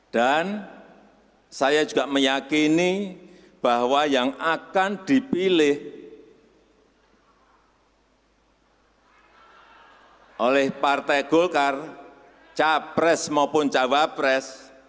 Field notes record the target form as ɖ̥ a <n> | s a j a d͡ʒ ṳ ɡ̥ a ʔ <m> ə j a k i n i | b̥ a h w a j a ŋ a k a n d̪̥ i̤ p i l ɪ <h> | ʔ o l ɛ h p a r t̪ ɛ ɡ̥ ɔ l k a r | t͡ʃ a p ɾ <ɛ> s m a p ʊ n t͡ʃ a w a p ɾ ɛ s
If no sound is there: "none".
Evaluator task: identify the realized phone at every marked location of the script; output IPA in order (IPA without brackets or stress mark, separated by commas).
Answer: n, m, h, ɛ